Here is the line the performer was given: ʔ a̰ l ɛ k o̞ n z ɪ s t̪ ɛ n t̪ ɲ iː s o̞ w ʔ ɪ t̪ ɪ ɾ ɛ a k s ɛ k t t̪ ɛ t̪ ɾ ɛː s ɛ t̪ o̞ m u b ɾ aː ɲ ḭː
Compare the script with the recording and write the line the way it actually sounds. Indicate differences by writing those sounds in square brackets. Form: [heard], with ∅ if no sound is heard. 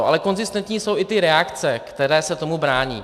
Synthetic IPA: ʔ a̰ l ɛ k o̞ n z ɪ s t̪ ɛ n t̪ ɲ iː s o̞ w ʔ ɪ t̪ ɪ ɾ ɛ a k [t͡s] ɛ k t t̪ ɛ [∅] ɾ ɛː s ɛ t̪ o̞ m u b ɾ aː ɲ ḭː